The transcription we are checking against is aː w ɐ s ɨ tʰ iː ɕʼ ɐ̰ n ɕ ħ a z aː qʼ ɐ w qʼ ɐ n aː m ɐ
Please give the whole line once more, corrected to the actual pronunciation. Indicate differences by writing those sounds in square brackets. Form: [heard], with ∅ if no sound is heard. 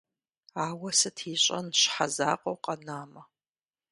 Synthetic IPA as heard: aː w ɐ s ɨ tʰ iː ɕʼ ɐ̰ n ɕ ħ a z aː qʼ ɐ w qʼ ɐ n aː m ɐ